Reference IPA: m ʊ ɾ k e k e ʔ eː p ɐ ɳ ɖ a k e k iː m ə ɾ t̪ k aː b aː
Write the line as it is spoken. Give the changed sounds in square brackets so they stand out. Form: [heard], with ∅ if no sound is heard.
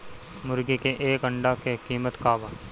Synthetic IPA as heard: m ʊ ɾ [ɡ] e k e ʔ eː [k] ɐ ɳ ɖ a k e k iː m ə [∅] t̪ k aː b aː